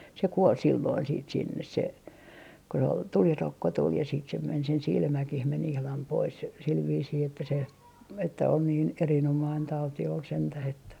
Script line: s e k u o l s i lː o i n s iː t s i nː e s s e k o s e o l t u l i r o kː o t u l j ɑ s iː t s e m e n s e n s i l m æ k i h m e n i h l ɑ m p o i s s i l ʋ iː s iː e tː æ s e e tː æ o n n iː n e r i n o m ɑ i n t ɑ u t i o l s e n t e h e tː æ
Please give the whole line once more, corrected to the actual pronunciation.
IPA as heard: s e k u o l s i lː o i n s iː t s i nː e s s e k o s e o l t u l i r o kː o t u l j ɑ s iː t s e m e n s e n s i l m æ k i h m e n i h l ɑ m p o i s s i l ʋ iː s iː e tː æ s e e tː æ o n n iː n e r i n o m ɑ i n t ɑ u t i o l s e n t æ h e tː æ